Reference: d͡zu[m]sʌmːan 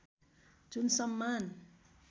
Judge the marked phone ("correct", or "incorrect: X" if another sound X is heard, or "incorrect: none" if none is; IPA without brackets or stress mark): incorrect: n